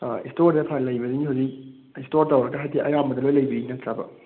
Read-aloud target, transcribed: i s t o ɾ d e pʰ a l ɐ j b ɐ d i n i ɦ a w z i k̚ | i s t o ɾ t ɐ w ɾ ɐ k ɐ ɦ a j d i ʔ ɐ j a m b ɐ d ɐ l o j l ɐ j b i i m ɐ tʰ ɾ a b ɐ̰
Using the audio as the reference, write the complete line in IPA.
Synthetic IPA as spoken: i s t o ɾ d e pʰ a l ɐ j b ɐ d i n i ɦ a w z i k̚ | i s t o ɾ t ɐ w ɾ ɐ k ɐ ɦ a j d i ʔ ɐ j a m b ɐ d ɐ l o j l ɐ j b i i n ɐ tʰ ɾ a b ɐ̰